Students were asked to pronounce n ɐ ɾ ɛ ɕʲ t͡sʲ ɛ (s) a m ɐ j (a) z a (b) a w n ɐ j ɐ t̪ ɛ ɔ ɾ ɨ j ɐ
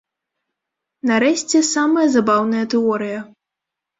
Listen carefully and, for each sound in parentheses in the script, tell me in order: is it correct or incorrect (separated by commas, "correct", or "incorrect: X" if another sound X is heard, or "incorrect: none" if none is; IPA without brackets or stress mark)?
correct, incorrect: ɐ, correct